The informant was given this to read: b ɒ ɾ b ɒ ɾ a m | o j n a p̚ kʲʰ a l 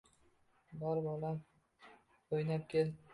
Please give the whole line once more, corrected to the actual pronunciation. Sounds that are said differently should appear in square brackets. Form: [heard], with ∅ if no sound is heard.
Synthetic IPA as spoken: b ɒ ɾ b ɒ [l] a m | o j n a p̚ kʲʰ [e] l